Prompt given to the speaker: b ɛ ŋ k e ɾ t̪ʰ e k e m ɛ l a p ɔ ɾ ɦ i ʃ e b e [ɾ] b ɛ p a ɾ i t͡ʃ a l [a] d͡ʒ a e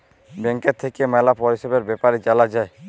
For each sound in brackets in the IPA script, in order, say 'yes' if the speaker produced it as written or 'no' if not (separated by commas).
yes, yes